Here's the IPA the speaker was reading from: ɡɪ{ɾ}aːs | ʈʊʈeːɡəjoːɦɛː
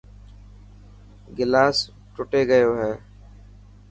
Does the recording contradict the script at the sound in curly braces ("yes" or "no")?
yes